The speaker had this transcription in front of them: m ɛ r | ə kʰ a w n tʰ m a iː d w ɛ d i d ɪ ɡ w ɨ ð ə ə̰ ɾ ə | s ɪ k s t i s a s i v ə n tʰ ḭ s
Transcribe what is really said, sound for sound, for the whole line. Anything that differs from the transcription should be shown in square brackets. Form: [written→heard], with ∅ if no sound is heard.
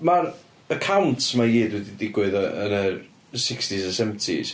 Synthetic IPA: m [ɛ→a] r | ə kʰ a w n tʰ m a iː d w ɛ d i d ɪ ɡ w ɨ ð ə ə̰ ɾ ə | s ɪ k s t i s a s [i→ɛ] v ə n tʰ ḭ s